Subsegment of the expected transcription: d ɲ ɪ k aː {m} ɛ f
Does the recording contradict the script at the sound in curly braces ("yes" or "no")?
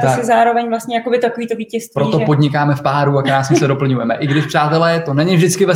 no